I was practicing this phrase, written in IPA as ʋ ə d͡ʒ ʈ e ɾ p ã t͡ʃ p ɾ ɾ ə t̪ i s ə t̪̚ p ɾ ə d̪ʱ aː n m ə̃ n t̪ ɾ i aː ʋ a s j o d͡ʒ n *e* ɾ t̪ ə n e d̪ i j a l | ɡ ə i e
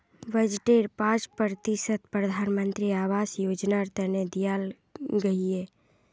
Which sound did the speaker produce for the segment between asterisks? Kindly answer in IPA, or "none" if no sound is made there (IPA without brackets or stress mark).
a